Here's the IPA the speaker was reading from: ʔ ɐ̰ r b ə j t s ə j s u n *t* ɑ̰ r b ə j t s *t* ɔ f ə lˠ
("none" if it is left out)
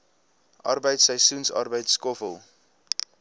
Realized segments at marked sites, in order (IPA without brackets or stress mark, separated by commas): s, k